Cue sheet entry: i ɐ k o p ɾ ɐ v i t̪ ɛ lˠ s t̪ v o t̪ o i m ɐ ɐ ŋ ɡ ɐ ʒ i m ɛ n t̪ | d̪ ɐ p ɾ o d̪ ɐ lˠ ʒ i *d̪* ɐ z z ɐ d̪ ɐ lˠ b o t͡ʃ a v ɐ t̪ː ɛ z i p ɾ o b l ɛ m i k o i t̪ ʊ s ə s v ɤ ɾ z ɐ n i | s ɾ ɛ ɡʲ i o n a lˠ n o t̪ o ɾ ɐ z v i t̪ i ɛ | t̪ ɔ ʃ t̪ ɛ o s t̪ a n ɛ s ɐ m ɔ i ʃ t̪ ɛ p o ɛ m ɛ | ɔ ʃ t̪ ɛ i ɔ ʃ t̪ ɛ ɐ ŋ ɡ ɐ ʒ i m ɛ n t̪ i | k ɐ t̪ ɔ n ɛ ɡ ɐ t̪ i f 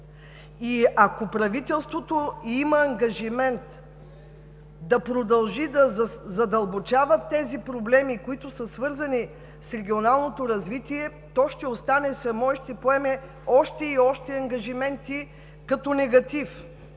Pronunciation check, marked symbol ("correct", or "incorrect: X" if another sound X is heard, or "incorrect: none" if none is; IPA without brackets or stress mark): correct